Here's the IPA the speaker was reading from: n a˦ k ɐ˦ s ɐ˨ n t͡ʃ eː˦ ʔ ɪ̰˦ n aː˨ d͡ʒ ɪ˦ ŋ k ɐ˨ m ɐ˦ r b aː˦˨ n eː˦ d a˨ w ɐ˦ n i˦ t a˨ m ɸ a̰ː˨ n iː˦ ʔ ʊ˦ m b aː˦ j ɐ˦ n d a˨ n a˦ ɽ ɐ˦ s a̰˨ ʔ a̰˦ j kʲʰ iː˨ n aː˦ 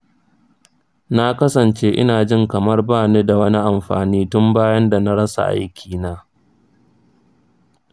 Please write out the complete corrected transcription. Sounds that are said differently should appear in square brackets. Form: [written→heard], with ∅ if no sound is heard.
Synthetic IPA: n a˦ k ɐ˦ s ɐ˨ n t͡ʃ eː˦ ʔ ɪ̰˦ n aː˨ d͡ʒ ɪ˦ ŋ k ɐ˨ m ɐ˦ r b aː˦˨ n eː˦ d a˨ w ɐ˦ n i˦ [t→ʔ] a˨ m ɸ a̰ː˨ n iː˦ [ʔ→t] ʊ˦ m b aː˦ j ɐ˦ n d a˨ n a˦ ɽ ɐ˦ s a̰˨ ʔ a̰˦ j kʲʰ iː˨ n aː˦